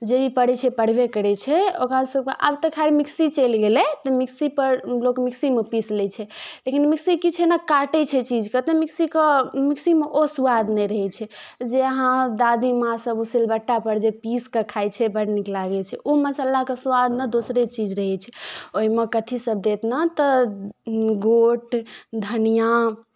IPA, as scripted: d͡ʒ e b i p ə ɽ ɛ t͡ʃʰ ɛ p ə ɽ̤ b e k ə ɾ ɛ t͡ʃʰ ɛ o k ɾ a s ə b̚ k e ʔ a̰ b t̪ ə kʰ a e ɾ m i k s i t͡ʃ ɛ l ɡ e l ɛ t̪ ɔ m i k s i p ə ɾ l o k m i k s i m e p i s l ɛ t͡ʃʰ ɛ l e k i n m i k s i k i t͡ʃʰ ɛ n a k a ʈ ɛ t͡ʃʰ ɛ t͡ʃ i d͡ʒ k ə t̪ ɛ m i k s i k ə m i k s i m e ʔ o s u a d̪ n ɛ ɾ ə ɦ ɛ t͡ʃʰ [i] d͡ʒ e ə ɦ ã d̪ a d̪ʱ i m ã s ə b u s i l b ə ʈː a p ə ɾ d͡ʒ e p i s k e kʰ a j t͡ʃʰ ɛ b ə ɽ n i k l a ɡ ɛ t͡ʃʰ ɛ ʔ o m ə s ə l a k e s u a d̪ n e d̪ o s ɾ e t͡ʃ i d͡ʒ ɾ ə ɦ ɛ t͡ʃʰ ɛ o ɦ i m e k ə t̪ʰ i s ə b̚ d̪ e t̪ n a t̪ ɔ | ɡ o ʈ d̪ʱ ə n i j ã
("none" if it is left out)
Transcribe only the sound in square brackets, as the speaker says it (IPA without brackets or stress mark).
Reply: ɛ